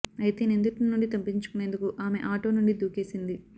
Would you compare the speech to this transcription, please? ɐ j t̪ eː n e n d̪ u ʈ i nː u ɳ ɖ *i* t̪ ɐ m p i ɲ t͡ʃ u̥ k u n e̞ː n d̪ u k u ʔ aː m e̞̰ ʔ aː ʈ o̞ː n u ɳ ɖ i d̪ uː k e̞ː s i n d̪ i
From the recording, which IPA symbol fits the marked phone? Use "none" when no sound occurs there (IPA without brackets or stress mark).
i